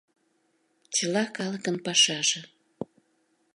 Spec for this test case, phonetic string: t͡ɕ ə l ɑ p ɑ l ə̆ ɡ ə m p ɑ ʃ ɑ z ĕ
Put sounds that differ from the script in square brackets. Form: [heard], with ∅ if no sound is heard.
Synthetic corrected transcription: t͡ɕ ə l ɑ [k] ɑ l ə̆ [k] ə [n] p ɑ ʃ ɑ [ʒ] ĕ